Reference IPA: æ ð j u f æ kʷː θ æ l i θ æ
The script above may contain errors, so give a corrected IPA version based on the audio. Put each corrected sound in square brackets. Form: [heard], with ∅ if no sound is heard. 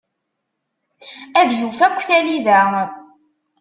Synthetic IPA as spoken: æ ð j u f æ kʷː θ æ l i [ð] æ